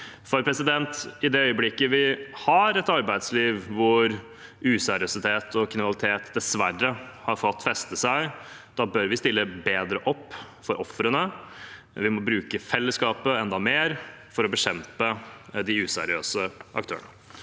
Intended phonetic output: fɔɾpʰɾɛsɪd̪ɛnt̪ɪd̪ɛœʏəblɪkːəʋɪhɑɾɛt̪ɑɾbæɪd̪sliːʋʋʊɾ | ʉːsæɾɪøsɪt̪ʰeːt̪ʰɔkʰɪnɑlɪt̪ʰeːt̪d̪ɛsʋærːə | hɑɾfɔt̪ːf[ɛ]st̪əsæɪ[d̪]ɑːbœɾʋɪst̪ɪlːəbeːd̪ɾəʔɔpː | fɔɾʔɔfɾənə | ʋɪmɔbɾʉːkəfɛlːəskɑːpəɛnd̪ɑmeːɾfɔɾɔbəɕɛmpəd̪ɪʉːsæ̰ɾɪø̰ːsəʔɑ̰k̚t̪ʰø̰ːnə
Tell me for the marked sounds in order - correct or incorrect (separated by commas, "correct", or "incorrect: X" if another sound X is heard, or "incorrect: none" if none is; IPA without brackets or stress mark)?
correct, correct